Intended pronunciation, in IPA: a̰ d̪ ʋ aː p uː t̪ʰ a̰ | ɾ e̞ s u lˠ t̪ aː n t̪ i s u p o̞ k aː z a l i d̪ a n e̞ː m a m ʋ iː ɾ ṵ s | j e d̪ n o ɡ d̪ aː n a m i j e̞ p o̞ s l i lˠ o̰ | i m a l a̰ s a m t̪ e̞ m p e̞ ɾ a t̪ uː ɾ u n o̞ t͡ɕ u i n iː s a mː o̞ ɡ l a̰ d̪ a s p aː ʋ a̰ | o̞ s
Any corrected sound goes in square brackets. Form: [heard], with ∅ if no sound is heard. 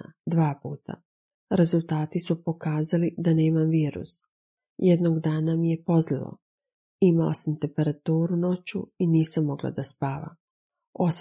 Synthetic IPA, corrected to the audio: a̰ d̪ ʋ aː p uː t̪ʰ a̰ | ɾ e̞ [z] u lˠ t̪ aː [∅] t̪ i s u p o̞ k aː z a l i d̪ a n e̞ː m a m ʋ iː ɾ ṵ s | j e d̪ n o ɡ d̪ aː n a m i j e̞ p o̞ [z] l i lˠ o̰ | i m a l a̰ s a m t̪ e̞ m p e̞ ɾ a t̪ uː ɾ u n o̞ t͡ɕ u i n iː s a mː o̞ ɡ l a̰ d̪ a s p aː ʋ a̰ | o̞ s